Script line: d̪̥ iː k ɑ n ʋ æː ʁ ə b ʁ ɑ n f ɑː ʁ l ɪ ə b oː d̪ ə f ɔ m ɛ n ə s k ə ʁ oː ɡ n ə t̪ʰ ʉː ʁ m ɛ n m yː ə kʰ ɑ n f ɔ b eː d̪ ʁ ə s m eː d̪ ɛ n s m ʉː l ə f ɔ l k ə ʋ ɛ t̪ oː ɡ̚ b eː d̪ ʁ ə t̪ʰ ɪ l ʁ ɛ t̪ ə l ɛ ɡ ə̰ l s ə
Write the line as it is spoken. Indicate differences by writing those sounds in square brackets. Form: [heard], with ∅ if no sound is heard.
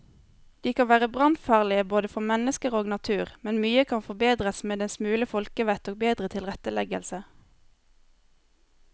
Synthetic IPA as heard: d̪̥ iː k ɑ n ʋ æː ʁ ə b ʁ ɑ n f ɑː ʁ l ɪ ə b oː d̪ ə f ɔ m ɛ n ə s k ə ʁ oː ɡ n [ɑ] t̪ʰ ʉː ʁ m ɛ n m yː ə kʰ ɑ n f ɔ b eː d̪ ʁ ə s m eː d̪ ɛ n s m ʉː l ə f ɔ l k ə ʋ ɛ t̪ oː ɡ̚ b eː d̪ ʁ ə t̪ʰ ɪ l ʁ ɛ t̪ ə l ɛ ɡ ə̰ l s ə